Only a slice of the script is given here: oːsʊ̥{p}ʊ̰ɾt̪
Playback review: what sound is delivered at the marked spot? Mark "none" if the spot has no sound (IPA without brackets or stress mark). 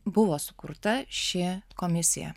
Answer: k